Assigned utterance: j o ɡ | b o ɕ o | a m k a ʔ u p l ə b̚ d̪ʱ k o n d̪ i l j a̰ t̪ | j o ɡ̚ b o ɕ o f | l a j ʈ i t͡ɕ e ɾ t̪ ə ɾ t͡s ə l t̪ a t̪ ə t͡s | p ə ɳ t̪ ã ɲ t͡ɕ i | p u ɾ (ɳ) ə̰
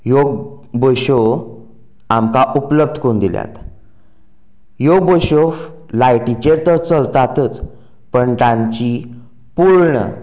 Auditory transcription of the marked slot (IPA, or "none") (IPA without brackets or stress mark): ɳ